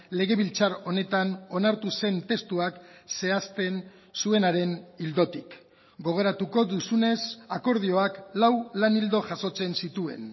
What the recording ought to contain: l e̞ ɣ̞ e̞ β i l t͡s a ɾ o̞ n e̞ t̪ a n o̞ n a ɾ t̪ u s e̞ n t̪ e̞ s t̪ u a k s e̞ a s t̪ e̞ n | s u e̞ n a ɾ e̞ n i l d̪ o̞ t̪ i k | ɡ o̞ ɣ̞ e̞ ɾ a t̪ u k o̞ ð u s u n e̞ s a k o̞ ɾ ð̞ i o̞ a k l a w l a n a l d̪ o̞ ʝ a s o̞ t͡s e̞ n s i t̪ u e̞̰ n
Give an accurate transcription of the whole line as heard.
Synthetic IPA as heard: l e̞ ɣ̞ e̞ β i l t͡s a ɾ o̞ n e̞ t̪ a n o̞ n a ɾ t̪ u s e̞ n t̪ e̞ s t̪ u a k s e̞ a s t̪ e̞ n | s u e̞ n a ɾ e̞ n i l d̪ o̞ t̪ i k | ɡ o̞ ɣ̞ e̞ ɾ a t̪ u k o̞ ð u s u n e̞ s a k o̞ ɾ ð̞ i o̞ a k l a w l a n i l d̪ o̞ ʝ a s o̞ t͡s e̞ n s i t̪ u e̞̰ n

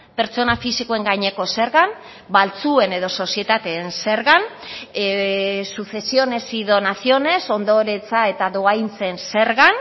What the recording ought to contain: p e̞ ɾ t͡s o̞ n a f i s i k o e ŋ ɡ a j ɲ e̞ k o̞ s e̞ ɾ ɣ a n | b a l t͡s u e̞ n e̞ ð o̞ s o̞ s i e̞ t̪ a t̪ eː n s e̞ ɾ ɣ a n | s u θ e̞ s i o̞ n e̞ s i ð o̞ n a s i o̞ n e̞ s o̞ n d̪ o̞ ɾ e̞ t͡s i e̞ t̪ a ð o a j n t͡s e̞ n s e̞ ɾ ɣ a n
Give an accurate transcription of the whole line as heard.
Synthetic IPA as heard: p e̞ ɾ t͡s o̞ n a f i s i k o e ŋ ɡ a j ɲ e̞ k o̞ s e̞ ɾ ɣ a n | b a l t͡s u e̞ n e̞ ð o̞ s o̞ s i e̞ t̪ a t̪ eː n s e̞ ɾ ɣ a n | s u θ e̞ s i o̞ n e̞ s i ð o̞ n a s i o̞ n e̞ s o̞ n d̪ o̞ ɾ e̞ t͡s a e̞ t̪ a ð o a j n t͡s e̞ n s e̞ ɾ ɣ a n

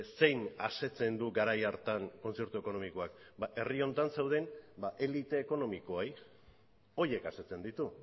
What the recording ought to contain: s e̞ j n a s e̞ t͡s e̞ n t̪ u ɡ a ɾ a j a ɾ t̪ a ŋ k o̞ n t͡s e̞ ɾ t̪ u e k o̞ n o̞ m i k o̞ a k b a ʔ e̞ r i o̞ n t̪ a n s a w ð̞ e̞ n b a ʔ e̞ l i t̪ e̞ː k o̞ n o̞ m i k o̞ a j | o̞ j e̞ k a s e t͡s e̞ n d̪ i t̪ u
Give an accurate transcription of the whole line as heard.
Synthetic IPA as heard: s e̞ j n a s e̞ t͡s e̞ n d̪ u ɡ a ɾ a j a ɾ t̪ a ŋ k o̞ n t͡s e̞ ɾ t̪ u e k o̞ n o̞ m i k o̞ a k b a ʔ e̞ r i o̞ n t̪ a n s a w ð̞ e̞ n b a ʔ e̞ l i t̪ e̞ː k o̞ n o̞ m i k o̞ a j | o̞ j e̞ k a s e t͡s e̞ n d̪ i t̪ u

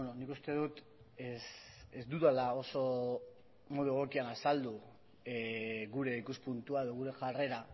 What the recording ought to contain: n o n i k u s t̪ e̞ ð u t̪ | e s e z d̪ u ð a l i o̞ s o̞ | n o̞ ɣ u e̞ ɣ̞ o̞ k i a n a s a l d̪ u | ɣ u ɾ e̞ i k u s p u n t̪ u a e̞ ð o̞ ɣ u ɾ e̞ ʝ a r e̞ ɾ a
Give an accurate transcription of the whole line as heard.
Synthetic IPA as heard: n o n i k u s t̪ e̞ ð u t̪ | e s e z d̪ u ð a l a o̞ s o̞ | m o̞ ð u e̞ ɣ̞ o̞ k i a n a s a l d̪ u | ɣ u ɾ e̞ i k u s p u n t̪ u a e̞ ð o̞ ɣ u ɾ e̞ ʝ a r e̞ ɾ a

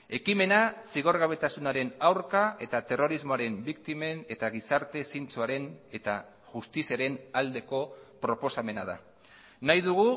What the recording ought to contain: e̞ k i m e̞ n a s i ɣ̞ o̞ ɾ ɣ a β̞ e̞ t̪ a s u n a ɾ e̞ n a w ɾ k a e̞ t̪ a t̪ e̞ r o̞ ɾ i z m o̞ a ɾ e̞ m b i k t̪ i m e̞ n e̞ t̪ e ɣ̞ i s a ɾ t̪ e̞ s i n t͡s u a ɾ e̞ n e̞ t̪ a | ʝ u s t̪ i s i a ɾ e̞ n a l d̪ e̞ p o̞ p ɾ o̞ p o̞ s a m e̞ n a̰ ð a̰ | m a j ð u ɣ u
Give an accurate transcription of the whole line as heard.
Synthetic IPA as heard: e̞ k i m e̞ n a s i ɣ̞ o̞ ɾ ɣ a β̞ e̞ t̪ a s u n a ɾ e̞ n a w ɾ k a e̞ t̪ a t̪ e̞ r o̞ ɾ i z m o̞ a ɾ e̞ m b i k t̪ i m e̞ n e̞ t̪ a ɣ̞ i s a ɾ t̪ e̞ s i n t͡s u a ɾ e̞ n e̞ t̪ a | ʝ u s t̪ i s i a ɾ e̞ n a l d̪ e̞ k o̞ p ɾ o̞ p o̞ s a m e̞ n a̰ ð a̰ | n a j ð u ɣ u

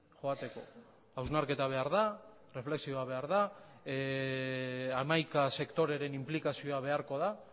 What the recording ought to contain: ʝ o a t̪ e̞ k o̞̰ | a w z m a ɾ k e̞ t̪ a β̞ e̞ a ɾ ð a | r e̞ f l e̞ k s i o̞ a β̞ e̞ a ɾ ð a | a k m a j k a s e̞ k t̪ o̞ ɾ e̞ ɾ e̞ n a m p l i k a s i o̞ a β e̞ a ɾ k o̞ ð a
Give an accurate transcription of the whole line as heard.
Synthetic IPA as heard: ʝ o a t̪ e̞ k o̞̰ | a w z n a ɾ k e̞ t̪ a β̞ e̞ a ɾ ð a | r e̞ f l e̞ k s i o̞ a β̞ e̞ a ɾ ð a | a m a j k a s e̞ k t̪ o̞ ɾ e̞ ɾ e̞ n i m p l i k a s i o̞ a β e̞ a ɾ k o̞ ð a

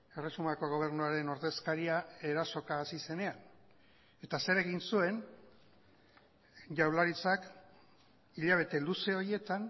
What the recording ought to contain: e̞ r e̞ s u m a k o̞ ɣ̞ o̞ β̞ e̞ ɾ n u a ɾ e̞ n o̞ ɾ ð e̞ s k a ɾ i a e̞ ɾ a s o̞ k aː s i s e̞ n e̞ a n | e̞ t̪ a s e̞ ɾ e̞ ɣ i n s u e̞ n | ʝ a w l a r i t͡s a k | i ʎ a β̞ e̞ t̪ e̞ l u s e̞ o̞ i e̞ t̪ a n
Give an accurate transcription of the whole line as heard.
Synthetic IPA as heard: e̞ r e̞ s u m a k o̞ ɣ̞ o̞ β̞ e̞ ɾ n u a ɾ e̞ n o̞ ɾ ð e̞ s k a ɾ i a e̞ ɾ a s o̞ k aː s i s e̞ n e̞ a n | e̞ t̪ a s e̞ ɾ e̞ ɣ i n s u e̞ n | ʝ a w l a ɾ i t͡s a k | i ʎ a β̞ e̞ t̪ e̞ l u s e̞ o̞ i e̞ t̪ a n

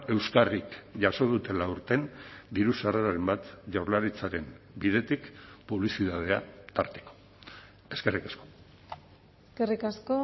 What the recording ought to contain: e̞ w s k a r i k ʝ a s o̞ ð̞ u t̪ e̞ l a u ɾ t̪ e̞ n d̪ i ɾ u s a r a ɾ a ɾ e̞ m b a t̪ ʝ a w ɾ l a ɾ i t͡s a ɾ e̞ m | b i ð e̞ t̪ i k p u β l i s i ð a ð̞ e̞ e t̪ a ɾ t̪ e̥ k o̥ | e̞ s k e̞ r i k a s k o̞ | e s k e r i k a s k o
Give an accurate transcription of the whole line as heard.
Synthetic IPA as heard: e̞ w s k a r i k ʝ a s o̞ ð̞ u t̪ e̞ l a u ɾ t̪ e̞ n d̪ i ɾ u s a r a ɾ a ɾ e̞ m b a t̪ ʝ a w ɾ l a ɾ i t͡s a ɾ e̞ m | b i ð e̞ t̪ i k p u β l i s i ð a ð̞ e̞ a t̪ a ɾ t̪ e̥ k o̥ | e̞ s k e̞ r i k a s k o̞ | e s k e r i k a s k o

